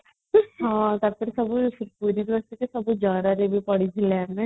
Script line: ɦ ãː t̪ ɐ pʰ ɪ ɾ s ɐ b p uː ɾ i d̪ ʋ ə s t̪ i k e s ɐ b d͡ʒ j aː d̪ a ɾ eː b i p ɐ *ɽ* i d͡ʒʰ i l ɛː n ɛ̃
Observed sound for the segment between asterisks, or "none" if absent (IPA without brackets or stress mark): ɽ